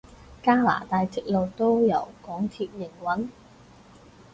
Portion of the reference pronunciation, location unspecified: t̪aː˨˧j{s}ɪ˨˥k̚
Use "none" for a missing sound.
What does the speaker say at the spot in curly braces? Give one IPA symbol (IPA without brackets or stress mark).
t͡s